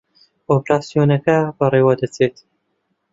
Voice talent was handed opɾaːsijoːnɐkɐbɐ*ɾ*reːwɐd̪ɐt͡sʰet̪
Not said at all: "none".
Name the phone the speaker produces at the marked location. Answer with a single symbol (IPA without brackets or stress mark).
none